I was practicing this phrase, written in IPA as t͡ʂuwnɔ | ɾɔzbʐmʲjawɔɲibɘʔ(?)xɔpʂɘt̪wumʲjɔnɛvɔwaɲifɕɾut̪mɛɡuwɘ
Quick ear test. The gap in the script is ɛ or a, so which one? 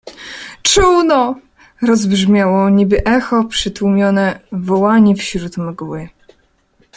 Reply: ɛ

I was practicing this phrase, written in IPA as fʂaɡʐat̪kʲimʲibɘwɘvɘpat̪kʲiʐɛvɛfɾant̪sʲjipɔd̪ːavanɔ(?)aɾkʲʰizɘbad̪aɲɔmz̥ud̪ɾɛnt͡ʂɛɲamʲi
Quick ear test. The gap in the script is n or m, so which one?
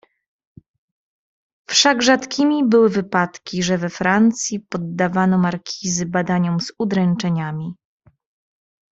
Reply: m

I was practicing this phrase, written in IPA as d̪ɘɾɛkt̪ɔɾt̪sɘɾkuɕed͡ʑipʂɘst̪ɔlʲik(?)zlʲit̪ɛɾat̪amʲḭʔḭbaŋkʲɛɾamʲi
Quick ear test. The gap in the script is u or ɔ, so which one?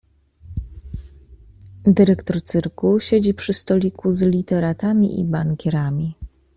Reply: u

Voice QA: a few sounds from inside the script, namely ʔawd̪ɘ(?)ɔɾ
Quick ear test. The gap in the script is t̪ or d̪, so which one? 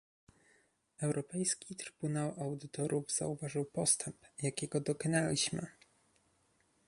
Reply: t̪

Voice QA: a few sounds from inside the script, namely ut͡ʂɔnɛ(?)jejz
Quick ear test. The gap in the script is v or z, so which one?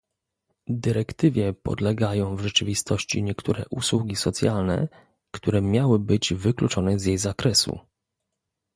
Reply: z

